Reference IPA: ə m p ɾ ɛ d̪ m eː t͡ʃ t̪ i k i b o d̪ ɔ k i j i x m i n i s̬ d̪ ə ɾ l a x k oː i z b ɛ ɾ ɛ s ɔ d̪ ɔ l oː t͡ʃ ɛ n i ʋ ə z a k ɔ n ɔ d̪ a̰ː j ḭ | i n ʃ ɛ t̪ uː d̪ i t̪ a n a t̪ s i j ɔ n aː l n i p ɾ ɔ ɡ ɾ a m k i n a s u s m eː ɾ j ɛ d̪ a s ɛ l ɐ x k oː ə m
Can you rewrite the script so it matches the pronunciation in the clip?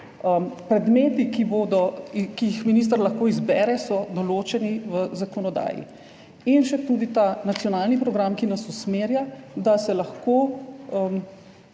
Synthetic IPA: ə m p ɾ ɛ d̪ m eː t̪ i k i b o d̪ ɔ k i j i x m i n i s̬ t̪ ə ɾ l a x k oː i z b ɛ ɾ ɛ s ɔ d̪ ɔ l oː t͡ʃ ɛ n i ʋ ə z a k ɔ n ɔ d̪ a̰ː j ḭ | i n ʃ ɛ t̪ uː d̪ i t̪ a n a t̪ s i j ɔ n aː l n i p ɾ ɔ ɡ ɾ a m k i n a s u s m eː ɾ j a d̪ a s ɛ l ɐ x k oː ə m